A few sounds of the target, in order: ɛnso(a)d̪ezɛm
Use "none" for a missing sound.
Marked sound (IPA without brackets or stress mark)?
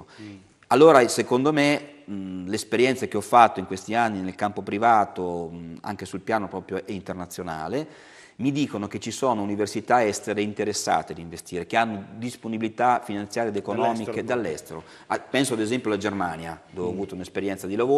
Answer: a